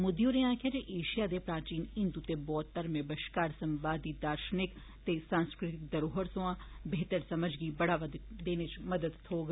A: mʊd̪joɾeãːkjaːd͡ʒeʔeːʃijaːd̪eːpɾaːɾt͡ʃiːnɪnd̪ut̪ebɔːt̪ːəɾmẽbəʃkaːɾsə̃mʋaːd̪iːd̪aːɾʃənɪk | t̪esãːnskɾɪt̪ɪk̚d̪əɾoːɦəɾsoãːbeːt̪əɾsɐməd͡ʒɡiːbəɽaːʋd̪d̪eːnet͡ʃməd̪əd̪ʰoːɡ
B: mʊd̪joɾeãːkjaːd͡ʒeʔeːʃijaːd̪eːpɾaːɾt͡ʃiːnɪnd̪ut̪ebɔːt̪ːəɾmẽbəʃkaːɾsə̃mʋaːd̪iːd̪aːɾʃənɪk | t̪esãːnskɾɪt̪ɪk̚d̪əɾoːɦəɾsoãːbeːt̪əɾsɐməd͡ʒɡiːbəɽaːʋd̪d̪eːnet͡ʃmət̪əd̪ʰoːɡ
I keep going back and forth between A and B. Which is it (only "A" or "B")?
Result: A